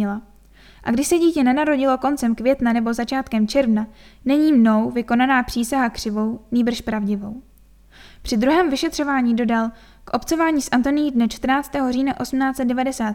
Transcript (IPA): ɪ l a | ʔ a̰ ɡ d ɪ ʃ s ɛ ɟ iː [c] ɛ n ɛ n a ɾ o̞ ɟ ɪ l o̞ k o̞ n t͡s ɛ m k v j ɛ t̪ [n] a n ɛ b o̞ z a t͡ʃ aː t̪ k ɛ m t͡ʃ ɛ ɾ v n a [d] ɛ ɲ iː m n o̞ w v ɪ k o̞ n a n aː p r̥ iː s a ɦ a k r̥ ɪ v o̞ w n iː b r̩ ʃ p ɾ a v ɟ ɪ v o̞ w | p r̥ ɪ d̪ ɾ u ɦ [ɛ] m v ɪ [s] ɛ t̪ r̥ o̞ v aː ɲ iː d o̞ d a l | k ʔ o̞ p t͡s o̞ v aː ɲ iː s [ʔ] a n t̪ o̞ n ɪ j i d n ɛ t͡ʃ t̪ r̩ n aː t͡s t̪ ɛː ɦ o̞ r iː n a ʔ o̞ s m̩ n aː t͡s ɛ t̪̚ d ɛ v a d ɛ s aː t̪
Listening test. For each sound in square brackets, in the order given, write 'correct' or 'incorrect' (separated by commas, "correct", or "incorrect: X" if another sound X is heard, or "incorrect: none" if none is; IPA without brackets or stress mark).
correct, correct, incorrect: n, incorrect: ɛː, incorrect: ʃ, correct